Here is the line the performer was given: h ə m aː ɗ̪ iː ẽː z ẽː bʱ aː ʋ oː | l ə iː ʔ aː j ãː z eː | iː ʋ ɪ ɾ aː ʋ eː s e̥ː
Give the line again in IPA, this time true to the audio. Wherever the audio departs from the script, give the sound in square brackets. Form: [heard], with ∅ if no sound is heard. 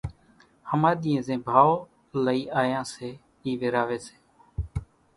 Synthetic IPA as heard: h ə m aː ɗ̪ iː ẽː z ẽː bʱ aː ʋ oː | l ə iː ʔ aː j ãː [s] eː | iː ʋ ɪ ɾ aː ʋ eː s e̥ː